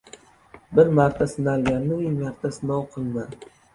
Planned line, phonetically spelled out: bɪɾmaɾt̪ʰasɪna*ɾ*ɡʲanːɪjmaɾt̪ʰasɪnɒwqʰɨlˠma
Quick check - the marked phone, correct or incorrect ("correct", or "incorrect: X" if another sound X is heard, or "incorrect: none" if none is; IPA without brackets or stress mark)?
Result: incorrect: l